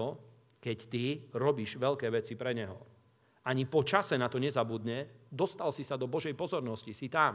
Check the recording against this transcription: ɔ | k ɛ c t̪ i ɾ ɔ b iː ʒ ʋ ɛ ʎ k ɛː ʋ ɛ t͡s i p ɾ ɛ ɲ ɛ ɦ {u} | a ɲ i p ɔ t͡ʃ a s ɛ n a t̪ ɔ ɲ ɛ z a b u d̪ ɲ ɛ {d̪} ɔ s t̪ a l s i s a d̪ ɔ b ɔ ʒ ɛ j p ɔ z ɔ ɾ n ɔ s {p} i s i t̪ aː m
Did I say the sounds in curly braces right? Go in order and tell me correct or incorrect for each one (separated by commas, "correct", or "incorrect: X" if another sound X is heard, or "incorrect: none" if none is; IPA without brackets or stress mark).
incorrect: ɔ, correct, incorrect: c